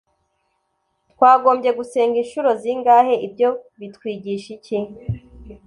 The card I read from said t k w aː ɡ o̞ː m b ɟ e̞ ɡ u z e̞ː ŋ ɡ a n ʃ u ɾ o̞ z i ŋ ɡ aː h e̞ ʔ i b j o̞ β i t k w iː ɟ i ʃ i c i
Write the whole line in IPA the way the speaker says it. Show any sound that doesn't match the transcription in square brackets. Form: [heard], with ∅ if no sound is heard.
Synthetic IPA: t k w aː ɡ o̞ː m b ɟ e̞ ɡ u [s] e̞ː ŋ ɡ [i] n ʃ u ɾ o̞ z i ŋ ɡ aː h e̞ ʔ i b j o̞ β i t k w iː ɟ i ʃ i c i